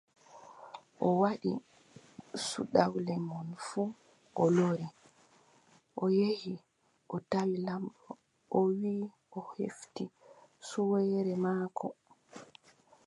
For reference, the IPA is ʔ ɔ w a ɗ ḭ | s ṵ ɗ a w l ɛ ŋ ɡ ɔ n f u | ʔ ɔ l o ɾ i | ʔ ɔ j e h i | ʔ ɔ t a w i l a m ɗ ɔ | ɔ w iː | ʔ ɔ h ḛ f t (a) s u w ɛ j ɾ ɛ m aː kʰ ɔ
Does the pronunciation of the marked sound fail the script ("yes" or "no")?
yes